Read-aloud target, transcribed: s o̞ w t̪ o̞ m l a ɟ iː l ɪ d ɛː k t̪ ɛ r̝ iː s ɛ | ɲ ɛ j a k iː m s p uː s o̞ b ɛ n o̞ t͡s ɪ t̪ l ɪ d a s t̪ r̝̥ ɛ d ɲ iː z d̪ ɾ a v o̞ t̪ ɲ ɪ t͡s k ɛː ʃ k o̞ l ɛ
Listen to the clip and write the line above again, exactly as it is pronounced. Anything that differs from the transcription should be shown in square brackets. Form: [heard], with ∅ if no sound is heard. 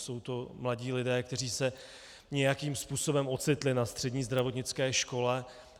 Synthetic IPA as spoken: s o̞ w t̪ o̞ m l a ɟ iː l ɪ d ɛː k t̪ ɛ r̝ iː s ɛ | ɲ ɛ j a k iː m s p uː s o̞ b ɛ [m] o̞ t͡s ɪ t̪ l ɪ [n] a s t̪ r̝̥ ɛ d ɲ iː z d̪ ɾ a v o̞ t̪ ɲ ɪ t͡s k ɛː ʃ k o̞ l ɛ